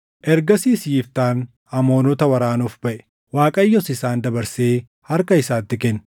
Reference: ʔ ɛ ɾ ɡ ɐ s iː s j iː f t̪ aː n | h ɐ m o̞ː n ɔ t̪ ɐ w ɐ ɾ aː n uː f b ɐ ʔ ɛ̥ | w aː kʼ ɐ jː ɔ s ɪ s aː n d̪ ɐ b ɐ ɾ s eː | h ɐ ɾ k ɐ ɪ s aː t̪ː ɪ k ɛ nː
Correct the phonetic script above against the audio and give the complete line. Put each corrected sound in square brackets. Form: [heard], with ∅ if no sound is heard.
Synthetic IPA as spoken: ʔ ɛ ɾ ɡ ɐ s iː s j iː f t̪ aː n | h ɐ m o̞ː n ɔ t̪ ɐ w ɐ ɾ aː n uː f b ɐ ʔ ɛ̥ | w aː kʼ ɐ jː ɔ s ɪ s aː n d̪ ɐ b ɐ ɾ s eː | h ɐ ɾ k ɐ ɪ s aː t̪ː ɪ k ɛ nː